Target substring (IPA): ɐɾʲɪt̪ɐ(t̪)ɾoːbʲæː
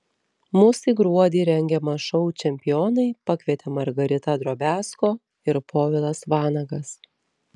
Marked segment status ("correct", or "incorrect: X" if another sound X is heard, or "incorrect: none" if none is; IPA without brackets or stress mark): incorrect: d̪